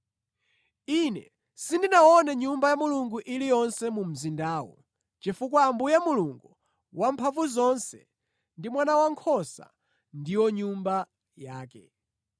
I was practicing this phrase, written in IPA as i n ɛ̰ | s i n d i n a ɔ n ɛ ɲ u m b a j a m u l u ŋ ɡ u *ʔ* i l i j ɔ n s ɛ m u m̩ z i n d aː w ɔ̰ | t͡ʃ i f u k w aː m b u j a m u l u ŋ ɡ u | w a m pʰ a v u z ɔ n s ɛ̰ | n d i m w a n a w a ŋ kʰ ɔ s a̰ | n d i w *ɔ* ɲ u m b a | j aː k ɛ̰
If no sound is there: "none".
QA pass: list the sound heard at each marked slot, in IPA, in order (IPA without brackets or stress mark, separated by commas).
ʔ, ɔ